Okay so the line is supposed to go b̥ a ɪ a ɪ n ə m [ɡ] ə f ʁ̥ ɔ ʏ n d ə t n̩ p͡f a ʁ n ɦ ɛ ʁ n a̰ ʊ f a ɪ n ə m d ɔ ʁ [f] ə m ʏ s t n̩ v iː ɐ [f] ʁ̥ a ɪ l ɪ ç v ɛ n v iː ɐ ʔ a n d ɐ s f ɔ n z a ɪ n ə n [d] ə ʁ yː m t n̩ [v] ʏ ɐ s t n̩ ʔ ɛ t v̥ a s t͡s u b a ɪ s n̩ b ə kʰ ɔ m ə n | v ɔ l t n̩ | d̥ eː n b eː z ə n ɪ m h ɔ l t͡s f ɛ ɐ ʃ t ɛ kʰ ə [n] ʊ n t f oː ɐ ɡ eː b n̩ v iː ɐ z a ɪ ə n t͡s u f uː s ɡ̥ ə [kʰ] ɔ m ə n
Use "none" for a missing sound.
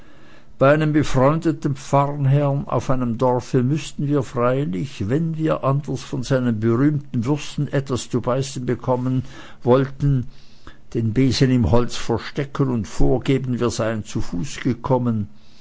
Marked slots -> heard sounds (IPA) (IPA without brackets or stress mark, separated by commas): b, f, f, b, v, n, kʰ